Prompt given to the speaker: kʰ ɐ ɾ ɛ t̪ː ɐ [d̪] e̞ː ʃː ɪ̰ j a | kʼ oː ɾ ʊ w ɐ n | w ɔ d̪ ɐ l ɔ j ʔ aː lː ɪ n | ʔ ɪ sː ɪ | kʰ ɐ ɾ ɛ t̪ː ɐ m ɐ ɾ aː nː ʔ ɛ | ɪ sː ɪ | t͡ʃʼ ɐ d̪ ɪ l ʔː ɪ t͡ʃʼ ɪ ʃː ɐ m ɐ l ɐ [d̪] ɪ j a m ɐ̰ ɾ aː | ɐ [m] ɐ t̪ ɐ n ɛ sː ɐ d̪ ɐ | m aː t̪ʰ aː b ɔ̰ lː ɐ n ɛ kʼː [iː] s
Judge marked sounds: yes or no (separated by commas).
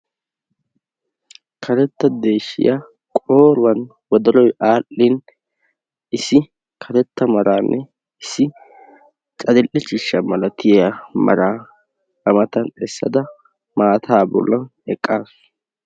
yes, no, yes, no